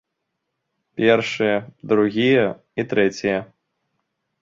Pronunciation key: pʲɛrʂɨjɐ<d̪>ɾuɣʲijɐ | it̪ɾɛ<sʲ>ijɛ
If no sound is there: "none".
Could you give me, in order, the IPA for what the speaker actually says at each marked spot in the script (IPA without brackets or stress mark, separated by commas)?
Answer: d̪, t͡sʲ